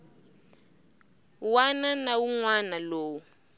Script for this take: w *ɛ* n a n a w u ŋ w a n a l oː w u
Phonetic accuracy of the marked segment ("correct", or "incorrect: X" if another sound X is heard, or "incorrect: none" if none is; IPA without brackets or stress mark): incorrect: a